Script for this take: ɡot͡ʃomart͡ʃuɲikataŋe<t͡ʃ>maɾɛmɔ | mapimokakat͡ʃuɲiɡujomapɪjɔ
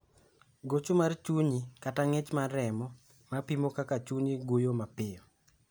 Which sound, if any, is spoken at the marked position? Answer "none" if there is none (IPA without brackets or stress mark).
t͡ʃ